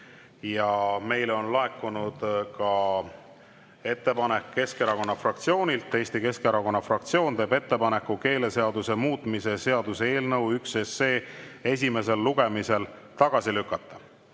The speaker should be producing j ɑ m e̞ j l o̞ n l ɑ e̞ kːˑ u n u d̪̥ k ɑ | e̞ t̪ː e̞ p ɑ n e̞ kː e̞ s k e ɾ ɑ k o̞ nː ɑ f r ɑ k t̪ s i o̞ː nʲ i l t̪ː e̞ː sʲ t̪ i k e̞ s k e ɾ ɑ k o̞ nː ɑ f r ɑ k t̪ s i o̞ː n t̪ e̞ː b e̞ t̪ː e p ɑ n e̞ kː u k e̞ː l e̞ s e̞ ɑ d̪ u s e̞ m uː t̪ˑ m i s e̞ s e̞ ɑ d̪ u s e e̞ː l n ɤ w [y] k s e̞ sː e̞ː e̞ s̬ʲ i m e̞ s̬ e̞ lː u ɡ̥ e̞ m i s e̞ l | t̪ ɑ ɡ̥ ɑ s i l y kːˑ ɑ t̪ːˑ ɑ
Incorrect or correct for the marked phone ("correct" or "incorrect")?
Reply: correct